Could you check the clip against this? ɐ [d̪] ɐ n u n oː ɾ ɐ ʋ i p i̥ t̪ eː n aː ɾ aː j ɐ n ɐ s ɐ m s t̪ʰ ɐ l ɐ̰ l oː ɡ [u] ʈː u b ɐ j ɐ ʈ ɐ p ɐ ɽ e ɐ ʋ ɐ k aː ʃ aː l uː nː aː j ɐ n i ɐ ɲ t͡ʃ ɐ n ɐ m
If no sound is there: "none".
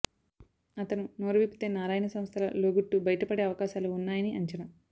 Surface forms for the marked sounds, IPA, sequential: t̪, u

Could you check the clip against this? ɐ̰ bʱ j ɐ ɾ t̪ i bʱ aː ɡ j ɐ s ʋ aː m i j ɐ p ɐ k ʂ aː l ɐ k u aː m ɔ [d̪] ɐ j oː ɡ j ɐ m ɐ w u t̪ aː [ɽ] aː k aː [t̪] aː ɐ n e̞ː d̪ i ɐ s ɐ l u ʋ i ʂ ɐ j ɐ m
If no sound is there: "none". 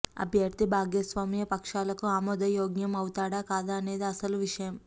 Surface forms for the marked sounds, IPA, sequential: d̪, ɽ, d̪

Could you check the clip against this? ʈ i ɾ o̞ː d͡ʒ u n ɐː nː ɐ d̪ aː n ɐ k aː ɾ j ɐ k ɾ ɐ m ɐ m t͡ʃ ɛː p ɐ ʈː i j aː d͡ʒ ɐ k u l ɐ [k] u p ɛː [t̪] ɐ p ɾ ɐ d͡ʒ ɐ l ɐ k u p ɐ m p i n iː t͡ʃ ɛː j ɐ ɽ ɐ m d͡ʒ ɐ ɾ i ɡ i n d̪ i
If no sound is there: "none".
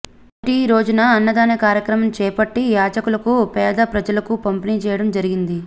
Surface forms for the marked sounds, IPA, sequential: k, d̪

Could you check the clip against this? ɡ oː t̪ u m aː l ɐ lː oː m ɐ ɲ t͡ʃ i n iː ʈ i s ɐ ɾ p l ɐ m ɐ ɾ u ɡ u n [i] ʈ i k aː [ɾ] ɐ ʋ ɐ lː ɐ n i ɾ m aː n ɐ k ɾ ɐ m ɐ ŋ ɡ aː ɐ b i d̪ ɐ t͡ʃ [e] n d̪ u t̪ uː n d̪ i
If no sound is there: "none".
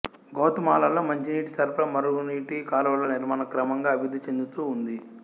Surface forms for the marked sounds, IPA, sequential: iː, l, e

